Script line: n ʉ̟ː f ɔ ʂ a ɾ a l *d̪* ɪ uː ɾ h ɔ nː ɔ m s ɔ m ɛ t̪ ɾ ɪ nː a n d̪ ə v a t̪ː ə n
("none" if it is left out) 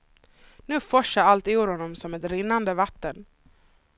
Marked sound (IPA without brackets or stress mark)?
t̪